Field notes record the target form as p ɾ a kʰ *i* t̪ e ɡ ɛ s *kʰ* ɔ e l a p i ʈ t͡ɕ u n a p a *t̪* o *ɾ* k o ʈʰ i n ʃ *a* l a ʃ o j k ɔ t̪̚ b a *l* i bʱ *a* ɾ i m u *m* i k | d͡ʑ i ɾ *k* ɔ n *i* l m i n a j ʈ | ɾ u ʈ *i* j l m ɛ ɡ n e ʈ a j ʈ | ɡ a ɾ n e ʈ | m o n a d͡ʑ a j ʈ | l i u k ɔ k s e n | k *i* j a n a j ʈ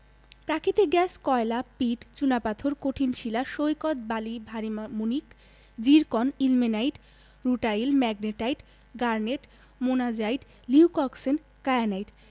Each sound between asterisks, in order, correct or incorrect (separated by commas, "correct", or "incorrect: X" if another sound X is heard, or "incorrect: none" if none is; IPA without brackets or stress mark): correct, incorrect: k, incorrect: t̪ʰ, correct, incorrect: i, correct, correct, incorrect: n, correct, correct, incorrect: a, incorrect: a